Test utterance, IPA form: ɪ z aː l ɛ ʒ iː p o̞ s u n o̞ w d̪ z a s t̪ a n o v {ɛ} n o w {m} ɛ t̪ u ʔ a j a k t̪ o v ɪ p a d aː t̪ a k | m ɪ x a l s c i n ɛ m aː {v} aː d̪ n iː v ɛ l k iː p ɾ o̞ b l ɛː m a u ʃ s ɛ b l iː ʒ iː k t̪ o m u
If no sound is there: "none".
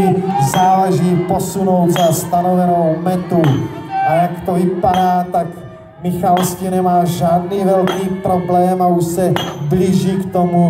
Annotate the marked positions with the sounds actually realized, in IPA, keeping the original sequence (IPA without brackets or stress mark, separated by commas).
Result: ɛ, m, ʒ